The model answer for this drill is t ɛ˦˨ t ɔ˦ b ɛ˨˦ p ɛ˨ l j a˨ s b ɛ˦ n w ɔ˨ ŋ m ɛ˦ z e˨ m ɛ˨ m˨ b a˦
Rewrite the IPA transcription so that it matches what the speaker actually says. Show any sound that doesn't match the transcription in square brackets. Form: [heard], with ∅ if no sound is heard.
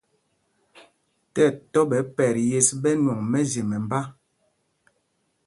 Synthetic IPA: t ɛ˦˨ t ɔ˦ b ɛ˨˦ p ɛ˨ [ɾ] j [e˨] s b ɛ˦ n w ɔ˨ ŋ m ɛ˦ z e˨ m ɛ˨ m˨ b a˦